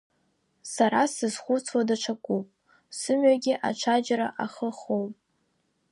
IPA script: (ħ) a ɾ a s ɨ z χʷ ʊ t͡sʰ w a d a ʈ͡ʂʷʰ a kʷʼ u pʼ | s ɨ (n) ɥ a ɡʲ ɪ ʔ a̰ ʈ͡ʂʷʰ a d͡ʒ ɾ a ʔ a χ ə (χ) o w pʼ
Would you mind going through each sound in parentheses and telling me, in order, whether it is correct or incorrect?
incorrect, incorrect, correct

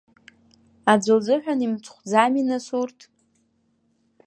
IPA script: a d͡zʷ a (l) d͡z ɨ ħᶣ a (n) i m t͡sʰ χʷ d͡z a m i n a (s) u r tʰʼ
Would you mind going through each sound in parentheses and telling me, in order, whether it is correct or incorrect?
correct, correct, correct

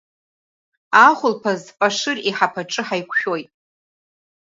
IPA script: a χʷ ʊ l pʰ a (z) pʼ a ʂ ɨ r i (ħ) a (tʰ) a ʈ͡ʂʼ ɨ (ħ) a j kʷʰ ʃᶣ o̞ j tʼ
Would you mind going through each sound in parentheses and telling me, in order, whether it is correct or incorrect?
correct, correct, incorrect, correct

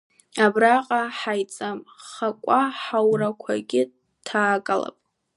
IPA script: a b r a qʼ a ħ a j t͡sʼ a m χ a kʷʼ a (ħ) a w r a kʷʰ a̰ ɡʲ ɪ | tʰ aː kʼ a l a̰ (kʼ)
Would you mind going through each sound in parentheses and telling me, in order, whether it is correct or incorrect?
correct, incorrect

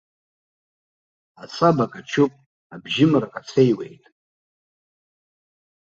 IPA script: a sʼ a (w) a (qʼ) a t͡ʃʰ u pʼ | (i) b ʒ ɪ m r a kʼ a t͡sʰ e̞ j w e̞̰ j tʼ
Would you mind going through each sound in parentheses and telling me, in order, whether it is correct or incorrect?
incorrect, incorrect, incorrect

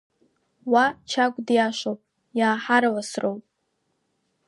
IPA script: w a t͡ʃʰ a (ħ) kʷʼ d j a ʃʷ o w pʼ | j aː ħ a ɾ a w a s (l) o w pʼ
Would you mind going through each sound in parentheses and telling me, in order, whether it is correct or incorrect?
incorrect, incorrect

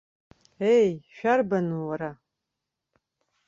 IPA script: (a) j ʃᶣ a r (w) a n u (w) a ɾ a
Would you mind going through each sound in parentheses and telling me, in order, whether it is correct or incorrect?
incorrect, incorrect, correct

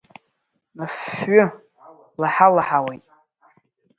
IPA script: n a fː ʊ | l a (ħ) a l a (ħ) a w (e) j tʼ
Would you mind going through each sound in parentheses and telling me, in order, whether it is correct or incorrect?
correct, correct, correct

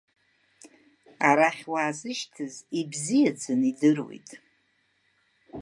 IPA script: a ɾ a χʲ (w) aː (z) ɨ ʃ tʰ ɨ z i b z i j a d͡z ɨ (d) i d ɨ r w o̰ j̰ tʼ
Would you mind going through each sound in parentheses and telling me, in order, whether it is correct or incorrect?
correct, correct, incorrect

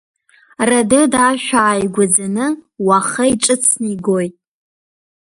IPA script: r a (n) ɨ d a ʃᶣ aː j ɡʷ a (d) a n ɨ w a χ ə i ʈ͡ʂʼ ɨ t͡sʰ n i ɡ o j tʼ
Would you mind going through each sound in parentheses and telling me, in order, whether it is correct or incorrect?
incorrect, incorrect

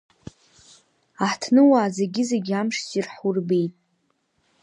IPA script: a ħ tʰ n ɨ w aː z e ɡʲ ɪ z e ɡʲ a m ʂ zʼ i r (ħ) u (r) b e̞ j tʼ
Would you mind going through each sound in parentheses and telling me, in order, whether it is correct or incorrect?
correct, correct

